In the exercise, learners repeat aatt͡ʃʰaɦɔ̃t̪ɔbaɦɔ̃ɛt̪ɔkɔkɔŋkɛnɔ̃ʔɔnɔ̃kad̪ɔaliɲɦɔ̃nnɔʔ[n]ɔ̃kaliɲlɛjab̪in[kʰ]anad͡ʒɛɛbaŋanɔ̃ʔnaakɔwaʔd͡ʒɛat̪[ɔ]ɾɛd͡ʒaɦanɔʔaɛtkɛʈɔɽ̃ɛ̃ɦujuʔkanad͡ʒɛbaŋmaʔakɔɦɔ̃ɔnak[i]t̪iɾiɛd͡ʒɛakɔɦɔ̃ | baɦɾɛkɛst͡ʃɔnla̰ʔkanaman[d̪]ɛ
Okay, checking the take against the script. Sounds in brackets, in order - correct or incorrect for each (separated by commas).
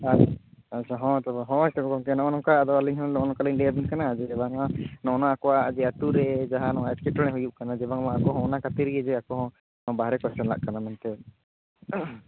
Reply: correct, incorrect, incorrect, incorrect, incorrect